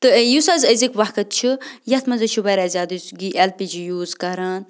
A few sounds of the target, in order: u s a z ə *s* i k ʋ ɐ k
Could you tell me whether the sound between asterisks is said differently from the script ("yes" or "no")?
yes